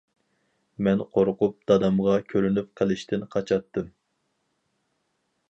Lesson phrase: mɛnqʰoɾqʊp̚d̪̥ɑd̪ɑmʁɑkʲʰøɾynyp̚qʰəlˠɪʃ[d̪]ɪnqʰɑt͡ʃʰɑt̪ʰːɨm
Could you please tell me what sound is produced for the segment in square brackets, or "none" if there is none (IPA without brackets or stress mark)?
t̪